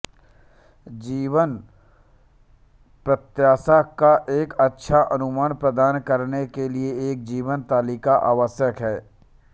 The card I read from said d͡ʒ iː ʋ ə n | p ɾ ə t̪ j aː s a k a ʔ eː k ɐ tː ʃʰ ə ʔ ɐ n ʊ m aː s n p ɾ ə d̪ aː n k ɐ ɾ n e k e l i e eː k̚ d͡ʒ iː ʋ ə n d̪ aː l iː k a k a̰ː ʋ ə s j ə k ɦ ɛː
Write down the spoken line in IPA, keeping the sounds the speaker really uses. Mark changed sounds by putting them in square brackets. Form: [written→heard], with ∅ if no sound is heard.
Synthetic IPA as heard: d͡ʒ iː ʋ ə n | p ɾ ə t̪ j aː s a k a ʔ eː k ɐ tː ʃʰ [ə→a] ʔ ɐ n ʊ m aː [s→∅] n p ɾ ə d̪ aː n k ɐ ɾ n e k e l i e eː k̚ d͡ʒ iː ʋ ə n [d̪→t̪] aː l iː k a [k→ʔ] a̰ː ʋ ə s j ə k ɦ ɛː